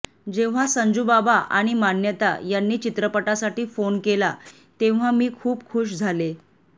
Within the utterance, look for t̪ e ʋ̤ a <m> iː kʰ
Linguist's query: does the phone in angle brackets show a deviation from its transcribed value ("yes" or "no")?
no